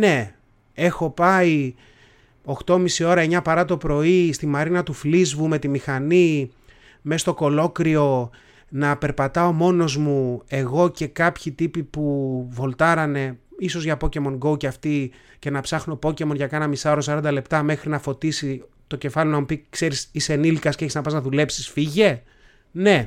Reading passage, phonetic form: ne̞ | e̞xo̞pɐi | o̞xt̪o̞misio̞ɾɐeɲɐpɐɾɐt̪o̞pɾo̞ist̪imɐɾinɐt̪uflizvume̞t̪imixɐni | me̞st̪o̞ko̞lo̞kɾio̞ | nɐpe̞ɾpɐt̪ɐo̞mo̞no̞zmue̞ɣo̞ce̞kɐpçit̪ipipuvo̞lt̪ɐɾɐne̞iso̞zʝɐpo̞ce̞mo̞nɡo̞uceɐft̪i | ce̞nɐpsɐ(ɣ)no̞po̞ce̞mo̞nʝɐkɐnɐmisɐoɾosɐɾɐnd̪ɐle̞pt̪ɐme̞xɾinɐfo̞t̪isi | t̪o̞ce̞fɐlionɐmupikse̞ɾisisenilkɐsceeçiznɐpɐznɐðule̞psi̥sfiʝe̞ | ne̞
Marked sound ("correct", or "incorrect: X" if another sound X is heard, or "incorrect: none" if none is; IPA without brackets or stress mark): incorrect: x